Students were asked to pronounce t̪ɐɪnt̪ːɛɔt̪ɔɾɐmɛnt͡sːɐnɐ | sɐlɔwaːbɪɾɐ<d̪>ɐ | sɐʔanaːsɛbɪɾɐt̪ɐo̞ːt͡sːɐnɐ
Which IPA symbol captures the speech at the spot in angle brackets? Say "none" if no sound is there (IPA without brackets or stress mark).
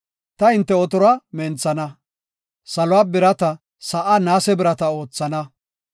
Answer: t̪